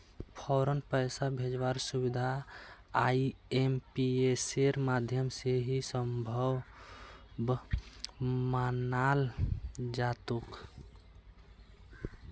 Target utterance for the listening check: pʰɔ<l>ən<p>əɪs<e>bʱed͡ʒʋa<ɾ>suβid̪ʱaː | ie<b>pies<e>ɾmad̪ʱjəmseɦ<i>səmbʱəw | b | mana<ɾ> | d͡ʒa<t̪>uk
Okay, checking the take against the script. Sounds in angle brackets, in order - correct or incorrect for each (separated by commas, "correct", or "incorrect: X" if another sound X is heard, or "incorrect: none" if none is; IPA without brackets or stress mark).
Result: incorrect: ɾ, correct, incorrect: a, correct, incorrect: m, correct, correct, incorrect: l, correct